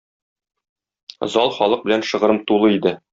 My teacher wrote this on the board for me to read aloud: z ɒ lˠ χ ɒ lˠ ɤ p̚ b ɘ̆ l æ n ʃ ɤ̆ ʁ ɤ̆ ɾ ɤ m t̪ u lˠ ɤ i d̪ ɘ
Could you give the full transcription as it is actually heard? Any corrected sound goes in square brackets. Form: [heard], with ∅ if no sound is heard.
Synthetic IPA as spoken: z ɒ lˠ χ ɒ lˠ ɤ [q̚] b ɘ̆ l æ n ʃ ɤ̆ ʁ ɤ̆ ɾ ɤ m t̪ u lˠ ɤ i d̪ ɘ